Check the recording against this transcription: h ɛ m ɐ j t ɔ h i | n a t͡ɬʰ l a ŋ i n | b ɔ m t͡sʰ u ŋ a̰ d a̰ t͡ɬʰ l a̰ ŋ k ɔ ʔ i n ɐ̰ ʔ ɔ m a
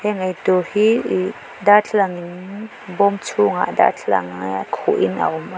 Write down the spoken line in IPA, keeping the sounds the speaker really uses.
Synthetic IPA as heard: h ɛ ŋ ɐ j t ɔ h i | d a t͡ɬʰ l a ŋ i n | b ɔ m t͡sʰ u ŋ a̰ d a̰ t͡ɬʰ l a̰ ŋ kʰ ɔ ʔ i n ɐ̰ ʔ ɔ m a